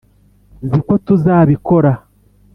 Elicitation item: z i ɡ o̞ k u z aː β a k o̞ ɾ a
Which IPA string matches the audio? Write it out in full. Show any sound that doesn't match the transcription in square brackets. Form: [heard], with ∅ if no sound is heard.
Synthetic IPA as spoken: z i [k] o̞ [t] u z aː β [i] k o̞ ɾ a